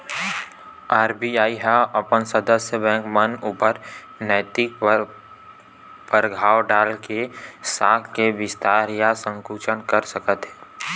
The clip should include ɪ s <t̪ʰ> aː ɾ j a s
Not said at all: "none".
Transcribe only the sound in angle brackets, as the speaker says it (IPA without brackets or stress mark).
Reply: t̪